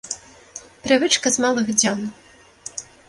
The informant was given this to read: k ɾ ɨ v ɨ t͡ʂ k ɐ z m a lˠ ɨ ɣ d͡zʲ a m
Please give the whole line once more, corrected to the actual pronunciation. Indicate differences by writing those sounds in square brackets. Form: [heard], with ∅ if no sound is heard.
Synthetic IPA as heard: [p] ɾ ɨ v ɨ t͡ʂ k ɐ z m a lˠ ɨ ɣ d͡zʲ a [n]